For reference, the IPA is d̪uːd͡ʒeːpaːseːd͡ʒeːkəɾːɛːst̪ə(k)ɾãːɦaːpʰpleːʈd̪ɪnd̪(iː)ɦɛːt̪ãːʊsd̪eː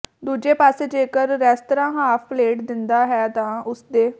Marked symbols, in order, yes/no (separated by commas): no, no